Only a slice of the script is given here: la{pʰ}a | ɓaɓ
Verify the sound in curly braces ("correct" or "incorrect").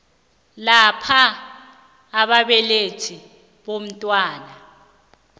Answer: correct